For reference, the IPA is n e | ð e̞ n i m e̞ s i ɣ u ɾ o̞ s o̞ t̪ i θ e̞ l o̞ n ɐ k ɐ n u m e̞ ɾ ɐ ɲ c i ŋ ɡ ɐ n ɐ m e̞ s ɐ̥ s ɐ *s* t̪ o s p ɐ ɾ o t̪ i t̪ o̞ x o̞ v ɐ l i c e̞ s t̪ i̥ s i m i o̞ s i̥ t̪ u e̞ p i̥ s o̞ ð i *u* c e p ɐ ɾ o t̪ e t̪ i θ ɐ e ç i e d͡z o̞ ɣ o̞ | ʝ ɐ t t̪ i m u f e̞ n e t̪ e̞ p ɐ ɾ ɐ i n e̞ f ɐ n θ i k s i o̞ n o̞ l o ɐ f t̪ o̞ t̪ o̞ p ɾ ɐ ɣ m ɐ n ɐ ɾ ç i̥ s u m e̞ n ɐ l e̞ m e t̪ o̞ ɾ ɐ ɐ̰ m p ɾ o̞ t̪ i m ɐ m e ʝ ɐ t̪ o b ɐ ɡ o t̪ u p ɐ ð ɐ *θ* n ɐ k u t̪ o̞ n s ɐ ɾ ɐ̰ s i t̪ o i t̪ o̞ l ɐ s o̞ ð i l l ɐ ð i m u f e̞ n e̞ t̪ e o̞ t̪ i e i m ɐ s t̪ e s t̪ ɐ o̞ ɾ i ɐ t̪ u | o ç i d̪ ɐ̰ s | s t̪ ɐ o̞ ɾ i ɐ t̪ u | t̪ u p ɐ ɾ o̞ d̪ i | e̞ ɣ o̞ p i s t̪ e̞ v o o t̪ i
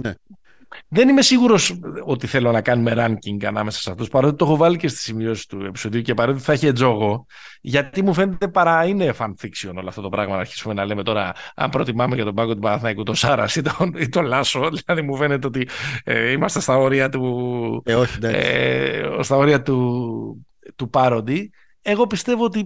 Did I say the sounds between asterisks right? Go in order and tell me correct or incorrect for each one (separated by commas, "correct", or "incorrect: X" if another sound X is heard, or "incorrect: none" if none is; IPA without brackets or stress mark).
incorrect: f, correct, correct